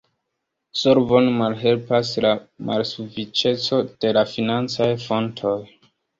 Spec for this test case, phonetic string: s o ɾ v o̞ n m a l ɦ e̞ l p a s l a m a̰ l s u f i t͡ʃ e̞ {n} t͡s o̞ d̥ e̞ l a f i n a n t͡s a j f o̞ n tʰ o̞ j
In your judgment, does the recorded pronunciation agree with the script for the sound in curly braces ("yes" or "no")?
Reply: no